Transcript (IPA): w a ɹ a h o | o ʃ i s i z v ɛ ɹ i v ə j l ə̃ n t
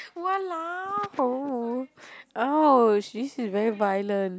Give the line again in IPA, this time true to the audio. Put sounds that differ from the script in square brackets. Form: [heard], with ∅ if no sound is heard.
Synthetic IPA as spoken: w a [l] a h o | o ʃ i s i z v ɛ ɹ i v [a] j l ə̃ n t